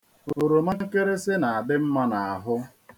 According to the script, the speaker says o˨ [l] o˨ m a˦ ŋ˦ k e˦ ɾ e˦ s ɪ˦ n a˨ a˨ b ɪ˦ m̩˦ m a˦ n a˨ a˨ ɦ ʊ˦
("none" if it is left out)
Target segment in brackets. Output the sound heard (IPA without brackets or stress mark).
ɾ